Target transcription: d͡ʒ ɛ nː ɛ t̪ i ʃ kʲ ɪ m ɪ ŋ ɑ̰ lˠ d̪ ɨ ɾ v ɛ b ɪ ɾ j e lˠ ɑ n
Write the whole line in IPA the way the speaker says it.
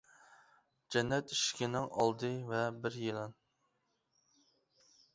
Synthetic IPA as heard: d͡ʒ ɛ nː ɛ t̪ i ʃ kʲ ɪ n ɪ ŋ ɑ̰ lˠ d̪ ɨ v ɛ b ɪ ɾ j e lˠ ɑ n

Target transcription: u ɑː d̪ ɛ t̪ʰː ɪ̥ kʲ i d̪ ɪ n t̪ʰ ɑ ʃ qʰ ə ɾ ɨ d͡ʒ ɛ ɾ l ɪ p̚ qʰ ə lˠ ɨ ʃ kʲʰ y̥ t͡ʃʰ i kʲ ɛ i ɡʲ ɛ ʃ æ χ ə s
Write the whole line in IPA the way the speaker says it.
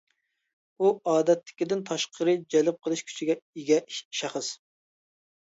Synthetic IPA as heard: u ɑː d̪ ɛ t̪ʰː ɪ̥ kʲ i d̪ ɪ n t̪ʰ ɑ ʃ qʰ ə ɾ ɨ d͡ʒ ɛ l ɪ p̚ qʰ ə lˠ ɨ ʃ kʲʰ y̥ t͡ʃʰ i ɡʲ ɛ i ɡʲ ɛ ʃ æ χ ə s

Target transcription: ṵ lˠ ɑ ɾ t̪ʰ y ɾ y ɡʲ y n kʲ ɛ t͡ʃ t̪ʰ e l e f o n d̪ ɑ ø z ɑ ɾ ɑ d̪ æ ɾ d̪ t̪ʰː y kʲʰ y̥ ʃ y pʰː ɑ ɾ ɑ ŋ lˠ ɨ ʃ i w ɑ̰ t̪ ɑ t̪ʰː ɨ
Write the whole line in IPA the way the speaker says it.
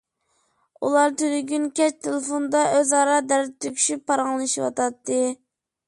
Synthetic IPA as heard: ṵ lˠ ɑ ɾ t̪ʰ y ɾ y ɡʲ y n kʲ ɛ t͡ʃ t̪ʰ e l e f o n d̪ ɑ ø z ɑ ɾ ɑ d̪ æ ɾ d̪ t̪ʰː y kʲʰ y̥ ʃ y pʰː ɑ ɾ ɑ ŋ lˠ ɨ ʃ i w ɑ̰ t̪ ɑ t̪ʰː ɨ

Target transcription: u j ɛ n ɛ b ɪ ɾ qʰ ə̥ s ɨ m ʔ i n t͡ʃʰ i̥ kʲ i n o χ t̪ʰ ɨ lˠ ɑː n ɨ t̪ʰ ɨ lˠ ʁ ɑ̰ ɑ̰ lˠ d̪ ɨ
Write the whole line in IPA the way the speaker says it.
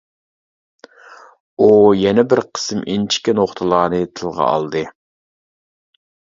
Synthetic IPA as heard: u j ɛ n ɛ b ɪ ɾ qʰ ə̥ s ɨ m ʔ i n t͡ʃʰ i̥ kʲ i n o χ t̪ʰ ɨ lˠ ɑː n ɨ t̪ʰ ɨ lˠ ʁ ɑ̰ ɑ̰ lˠ d̪ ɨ

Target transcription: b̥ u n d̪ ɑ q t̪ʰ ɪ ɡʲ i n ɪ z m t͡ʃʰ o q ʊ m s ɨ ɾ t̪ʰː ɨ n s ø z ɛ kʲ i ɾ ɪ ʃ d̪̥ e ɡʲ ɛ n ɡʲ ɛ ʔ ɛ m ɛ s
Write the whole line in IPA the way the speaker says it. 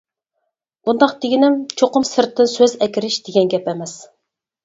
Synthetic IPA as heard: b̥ u n d̪ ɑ q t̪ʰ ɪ ɡʲ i n ɪ m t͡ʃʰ o q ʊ m s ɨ ɾ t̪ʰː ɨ n s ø z ɛ kʲ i ɾ ɪ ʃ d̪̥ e ɡʲ ɛ n ɡʲ ɛ p ɛ m ɛ s

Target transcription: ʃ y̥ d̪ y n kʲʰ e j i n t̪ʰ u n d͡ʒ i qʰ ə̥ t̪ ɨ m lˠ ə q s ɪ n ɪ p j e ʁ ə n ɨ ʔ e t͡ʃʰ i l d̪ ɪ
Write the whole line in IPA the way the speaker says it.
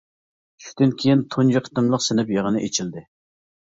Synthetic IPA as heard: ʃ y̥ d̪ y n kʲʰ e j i n t̪ʰ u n d͡ʒ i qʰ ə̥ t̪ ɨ m lˠ ə q s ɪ n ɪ p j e ʁ ə n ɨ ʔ e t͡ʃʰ i l d̪ ɪ

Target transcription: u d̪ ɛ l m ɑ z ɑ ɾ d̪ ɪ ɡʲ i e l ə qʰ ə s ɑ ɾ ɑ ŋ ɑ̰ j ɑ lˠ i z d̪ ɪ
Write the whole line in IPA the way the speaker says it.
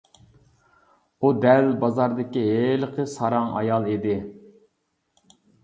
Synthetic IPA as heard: u d̪ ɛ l b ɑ z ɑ ɾ d̪ ɪ kʲ i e l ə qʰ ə s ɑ ɾ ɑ ŋ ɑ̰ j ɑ lˠ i d̪ ɪ

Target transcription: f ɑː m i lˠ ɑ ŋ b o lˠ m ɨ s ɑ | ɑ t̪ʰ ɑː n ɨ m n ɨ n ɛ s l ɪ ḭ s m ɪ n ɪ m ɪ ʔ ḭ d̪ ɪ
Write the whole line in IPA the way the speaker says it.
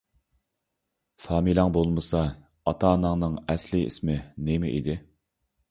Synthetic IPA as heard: f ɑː m i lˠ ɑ ŋ b o lˠ m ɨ s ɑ | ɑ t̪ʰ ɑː n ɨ ŋ n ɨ ŋ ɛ s l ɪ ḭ s m ɪ n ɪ m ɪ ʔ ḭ d̪ ɪ

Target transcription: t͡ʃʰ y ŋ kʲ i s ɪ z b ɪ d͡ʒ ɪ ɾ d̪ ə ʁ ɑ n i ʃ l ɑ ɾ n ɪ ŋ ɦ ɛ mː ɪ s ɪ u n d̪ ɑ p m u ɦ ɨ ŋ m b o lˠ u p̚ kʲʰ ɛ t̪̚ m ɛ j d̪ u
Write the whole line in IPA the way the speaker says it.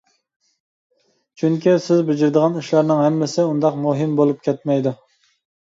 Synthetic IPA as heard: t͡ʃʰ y ŋ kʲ i s ɪ z b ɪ d͡ʒ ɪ ɾ d̪ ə ʁ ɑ n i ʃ l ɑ ɾ n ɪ ŋ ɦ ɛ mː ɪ s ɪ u n d̪ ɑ q m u ɦ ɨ m b o lˠ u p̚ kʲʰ ɛ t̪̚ m ɛ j d̪ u

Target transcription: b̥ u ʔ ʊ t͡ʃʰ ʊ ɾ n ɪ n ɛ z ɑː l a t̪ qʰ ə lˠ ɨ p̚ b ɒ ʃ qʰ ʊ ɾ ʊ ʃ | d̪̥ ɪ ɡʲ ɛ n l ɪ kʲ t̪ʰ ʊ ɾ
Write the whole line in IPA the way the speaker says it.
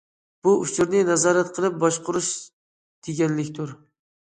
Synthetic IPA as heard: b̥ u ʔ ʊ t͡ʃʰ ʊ ɾ n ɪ n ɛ z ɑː ɾ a t̪ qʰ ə lˠ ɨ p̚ b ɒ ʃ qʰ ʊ ɾ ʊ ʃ | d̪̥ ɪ ɡʲ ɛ n l ɪ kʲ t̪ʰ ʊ ɾ

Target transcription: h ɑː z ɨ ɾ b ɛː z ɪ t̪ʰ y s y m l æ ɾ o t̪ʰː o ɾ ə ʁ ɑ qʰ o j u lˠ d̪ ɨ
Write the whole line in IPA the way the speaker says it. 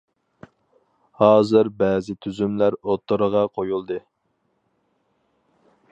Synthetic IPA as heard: h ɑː z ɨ ɾ b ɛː z ɪ t̪ʰ y z y m l æ ɾ o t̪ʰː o ɾ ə ʁ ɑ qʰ o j u lˠ d̪ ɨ

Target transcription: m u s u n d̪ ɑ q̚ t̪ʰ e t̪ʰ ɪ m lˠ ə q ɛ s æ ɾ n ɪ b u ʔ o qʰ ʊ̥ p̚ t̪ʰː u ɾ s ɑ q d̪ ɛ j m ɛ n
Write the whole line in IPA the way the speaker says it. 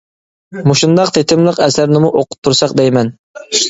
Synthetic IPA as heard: m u ʃ u n d̪ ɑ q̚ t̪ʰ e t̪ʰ ɪ m lˠ ə q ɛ s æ ɾ n ɪ m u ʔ o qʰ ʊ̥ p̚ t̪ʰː u ɾ s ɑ q d̪ ɛ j m ɛ n

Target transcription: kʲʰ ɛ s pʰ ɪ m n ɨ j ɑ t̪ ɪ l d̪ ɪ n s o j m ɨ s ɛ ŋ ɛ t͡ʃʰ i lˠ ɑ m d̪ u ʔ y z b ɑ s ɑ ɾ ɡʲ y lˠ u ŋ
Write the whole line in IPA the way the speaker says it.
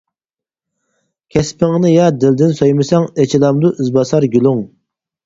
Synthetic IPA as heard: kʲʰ ɛ s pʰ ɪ ŋ n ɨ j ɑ d̪ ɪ l d̪ ɪ n s o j m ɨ s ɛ ŋ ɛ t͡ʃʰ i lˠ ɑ m d̪ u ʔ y z b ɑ s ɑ ɾ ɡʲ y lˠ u ŋ

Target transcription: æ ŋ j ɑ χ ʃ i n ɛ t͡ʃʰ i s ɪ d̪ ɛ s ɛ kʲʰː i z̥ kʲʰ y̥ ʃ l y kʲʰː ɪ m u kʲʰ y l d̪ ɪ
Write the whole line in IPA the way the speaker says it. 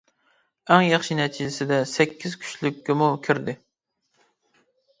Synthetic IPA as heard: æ ŋ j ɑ χ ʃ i n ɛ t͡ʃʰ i s ɪ d̪ ɛ s ɛ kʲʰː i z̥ kʲʰ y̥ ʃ l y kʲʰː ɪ m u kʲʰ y ɾ d̪ ɪ

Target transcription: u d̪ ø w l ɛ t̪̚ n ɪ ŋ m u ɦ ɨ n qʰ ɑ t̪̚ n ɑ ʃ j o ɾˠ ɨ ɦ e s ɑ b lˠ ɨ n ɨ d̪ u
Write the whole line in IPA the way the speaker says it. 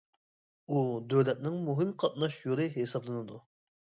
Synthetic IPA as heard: u d̪ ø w l ɛ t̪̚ n ɪ ŋ m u ɦ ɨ m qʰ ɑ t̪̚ n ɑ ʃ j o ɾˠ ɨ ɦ e s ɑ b lˠ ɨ n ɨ d̪ u

